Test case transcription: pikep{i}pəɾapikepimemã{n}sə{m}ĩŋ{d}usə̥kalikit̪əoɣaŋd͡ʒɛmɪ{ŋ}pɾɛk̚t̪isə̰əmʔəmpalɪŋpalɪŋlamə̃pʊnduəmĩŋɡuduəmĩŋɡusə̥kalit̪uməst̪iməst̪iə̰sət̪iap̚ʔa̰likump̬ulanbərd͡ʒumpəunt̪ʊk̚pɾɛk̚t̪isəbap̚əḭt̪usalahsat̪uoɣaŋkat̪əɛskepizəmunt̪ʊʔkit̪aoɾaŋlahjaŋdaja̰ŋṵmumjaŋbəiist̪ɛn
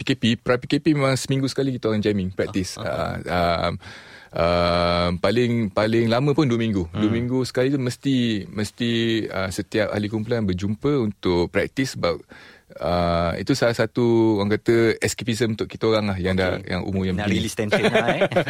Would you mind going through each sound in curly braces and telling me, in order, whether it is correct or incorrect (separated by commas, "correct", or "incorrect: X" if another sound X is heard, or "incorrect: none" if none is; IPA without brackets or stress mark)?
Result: correct, incorrect: ŋ, correct, incorrect: ɡ, correct